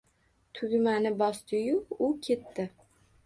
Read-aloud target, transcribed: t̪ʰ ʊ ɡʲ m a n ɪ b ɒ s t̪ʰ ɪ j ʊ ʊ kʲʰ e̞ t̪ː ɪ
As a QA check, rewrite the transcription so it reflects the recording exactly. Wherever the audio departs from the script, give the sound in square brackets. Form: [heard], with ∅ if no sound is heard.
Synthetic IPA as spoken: t̪ʰ ʊ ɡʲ m a n ɪ b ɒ s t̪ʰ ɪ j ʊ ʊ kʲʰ e̞ t̪ː ɪ

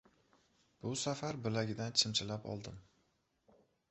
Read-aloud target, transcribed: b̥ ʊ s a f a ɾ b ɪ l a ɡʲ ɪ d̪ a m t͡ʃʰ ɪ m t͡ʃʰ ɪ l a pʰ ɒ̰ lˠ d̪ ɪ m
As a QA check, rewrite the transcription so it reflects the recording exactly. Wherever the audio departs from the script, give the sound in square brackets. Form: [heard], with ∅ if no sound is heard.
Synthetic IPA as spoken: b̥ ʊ s a f a ɾ b ɪ l a ɡʲ ɪ d̪ a [n] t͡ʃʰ ɪ m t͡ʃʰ ɪ l a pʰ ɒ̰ lˠ d̪ ɪ m

